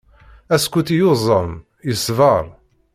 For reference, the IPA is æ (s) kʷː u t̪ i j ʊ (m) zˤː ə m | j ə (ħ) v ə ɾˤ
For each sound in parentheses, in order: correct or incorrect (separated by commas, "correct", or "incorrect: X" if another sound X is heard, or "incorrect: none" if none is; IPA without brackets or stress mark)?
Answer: correct, incorrect: none, incorrect: s